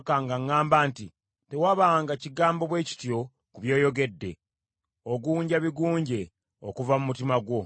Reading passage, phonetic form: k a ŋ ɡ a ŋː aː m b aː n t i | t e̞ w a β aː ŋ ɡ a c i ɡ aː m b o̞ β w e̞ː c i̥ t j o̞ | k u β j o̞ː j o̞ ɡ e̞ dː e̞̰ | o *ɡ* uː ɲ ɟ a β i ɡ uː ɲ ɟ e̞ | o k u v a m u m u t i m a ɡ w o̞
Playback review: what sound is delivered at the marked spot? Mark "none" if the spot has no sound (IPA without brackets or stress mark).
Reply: ɡ